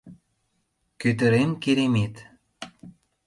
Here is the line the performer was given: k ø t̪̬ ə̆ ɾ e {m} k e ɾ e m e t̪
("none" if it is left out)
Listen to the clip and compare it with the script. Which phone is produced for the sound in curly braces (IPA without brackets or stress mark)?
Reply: m